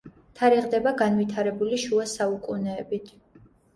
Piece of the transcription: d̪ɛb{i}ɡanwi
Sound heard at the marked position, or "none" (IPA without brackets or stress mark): a